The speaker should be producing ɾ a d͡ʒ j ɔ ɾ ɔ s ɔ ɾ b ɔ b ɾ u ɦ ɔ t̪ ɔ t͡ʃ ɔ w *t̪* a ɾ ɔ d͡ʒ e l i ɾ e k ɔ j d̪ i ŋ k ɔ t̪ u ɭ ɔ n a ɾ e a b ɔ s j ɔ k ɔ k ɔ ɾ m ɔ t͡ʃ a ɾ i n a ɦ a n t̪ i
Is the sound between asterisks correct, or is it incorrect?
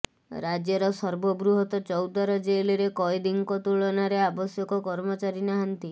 incorrect